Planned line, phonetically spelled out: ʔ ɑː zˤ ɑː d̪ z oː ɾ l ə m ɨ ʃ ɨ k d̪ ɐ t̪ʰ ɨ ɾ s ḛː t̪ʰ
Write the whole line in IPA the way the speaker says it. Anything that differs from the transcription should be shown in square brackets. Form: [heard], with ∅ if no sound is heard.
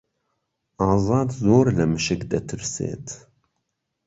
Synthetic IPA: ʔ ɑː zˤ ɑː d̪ z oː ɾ l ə m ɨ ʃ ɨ k d̪ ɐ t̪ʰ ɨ ɾ s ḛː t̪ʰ